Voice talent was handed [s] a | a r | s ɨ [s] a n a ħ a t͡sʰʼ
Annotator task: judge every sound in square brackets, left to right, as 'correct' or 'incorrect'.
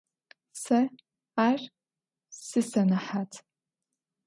correct, correct

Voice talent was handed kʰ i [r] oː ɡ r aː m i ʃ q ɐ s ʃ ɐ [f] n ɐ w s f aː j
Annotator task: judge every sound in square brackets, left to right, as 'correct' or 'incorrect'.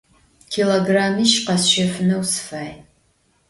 incorrect, correct

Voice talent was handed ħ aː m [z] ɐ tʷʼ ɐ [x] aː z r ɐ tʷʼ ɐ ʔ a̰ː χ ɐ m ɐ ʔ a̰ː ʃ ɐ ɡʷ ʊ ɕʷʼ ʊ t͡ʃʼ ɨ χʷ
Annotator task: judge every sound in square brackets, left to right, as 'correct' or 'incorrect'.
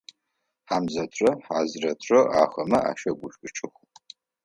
correct, incorrect

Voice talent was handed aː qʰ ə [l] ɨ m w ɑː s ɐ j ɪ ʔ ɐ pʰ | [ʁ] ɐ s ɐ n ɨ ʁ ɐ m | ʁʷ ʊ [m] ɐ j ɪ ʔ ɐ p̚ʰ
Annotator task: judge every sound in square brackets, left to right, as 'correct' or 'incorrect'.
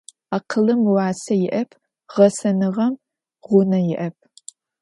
correct, correct, incorrect

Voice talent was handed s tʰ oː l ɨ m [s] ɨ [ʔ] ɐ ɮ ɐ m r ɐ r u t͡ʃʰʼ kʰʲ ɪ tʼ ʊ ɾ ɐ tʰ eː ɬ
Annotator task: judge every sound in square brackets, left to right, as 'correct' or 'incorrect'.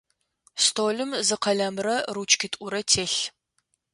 incorrect, incorrect

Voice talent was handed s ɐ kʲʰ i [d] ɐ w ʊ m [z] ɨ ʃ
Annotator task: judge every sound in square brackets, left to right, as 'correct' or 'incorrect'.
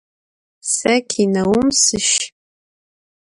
incorrect, incorrect

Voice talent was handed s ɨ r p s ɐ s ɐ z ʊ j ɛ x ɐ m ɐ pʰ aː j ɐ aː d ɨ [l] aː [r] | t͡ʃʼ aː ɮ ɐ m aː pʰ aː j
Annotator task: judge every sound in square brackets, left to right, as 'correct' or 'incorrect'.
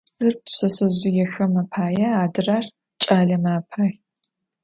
incorrect, correct

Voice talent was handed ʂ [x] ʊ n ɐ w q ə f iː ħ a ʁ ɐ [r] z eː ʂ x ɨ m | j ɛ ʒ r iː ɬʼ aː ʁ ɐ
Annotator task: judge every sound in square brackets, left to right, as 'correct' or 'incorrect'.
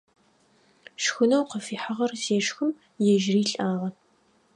correct, correct

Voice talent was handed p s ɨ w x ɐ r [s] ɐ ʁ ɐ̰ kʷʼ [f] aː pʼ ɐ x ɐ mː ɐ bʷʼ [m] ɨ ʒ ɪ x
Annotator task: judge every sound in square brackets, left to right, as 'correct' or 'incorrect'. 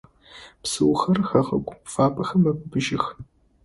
incorrect, correct, incorrect

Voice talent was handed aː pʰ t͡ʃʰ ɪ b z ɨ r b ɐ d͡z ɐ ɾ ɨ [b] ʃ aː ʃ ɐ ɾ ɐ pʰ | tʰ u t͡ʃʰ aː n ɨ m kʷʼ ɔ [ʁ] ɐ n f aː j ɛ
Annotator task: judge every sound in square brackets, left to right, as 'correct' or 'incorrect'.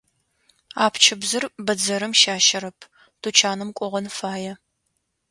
incorrect, correct

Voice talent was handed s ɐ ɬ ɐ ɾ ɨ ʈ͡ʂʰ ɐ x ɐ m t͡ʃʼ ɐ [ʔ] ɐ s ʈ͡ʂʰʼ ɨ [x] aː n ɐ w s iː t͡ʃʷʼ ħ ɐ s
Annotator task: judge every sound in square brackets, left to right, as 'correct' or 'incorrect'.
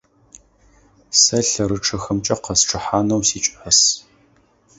incorrect, incorrect

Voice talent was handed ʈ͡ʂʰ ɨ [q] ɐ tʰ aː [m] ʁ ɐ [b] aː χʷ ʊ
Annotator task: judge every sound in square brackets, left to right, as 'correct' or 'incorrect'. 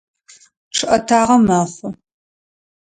incorrect, incorrect, incorrect

